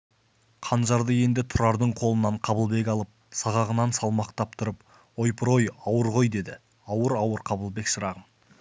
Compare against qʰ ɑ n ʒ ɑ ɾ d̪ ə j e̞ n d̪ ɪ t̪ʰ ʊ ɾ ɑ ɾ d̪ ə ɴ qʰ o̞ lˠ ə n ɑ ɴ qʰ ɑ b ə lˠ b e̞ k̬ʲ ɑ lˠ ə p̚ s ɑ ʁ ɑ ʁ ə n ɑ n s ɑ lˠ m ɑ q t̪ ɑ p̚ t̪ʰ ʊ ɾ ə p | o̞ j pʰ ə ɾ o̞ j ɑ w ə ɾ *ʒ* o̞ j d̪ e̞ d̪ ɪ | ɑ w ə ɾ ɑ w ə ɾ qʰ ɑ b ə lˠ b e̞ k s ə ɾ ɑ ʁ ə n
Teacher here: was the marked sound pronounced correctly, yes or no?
no